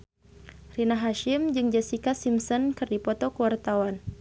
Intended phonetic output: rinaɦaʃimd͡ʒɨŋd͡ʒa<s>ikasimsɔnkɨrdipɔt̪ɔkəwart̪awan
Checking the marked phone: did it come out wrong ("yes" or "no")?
no